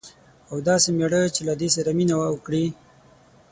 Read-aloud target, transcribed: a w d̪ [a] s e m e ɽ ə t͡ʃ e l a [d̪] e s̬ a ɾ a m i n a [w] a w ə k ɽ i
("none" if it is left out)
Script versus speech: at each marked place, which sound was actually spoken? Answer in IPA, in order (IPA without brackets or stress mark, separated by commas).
ɑ, d̪, w